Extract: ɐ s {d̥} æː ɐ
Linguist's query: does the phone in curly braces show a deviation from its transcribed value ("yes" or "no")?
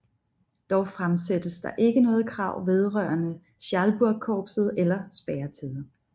yes